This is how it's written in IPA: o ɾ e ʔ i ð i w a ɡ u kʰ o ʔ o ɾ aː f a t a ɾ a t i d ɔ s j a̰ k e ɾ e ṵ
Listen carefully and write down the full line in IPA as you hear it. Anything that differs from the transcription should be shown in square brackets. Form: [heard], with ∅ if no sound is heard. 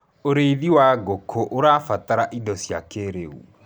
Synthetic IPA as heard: o ɾ e [∅] i ð i w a ɡ [o] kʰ o ʔ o ɾ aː f a t a ɾ a [ʔ] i d ɔ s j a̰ k e ɾ e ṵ